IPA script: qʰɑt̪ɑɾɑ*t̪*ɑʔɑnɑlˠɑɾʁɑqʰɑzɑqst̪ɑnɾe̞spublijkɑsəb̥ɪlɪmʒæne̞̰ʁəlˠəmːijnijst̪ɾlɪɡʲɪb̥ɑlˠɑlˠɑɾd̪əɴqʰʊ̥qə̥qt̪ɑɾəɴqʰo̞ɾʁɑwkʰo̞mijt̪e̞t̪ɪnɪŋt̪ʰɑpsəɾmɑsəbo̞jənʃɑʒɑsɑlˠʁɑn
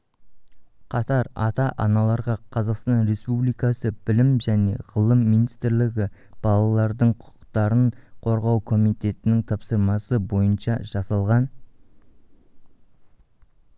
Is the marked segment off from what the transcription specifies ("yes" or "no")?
no